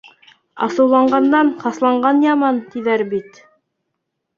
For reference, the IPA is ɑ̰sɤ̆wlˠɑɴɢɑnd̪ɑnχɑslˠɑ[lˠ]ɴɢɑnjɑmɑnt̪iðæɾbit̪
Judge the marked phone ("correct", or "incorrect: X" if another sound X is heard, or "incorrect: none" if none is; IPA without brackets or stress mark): incorrect: none